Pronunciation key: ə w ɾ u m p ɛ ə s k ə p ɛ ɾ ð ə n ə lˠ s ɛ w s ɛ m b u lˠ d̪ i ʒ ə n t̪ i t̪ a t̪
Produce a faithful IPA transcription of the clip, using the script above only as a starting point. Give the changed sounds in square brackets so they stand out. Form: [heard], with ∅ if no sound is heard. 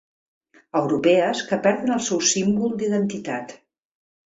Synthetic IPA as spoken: ə w ɾ u [∅] p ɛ ə s k ə p ɛ ɾ ð ə n ə lˠ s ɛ w s [i] m b u lˠ d̪ i [ð] ə n t̪ i t̪ a t̪